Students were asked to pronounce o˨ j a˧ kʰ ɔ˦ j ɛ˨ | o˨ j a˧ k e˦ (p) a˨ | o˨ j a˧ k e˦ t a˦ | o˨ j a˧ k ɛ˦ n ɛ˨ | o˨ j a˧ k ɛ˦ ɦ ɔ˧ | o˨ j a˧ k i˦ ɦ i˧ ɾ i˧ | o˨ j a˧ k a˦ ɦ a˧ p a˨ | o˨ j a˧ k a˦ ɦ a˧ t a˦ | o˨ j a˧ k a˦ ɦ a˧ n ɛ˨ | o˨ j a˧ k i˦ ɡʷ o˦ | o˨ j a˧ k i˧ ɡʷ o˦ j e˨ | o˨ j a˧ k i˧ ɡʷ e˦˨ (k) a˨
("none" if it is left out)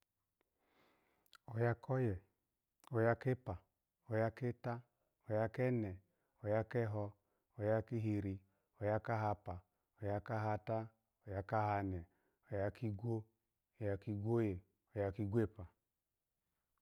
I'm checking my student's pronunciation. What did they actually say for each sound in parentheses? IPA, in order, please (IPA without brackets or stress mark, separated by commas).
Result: p, p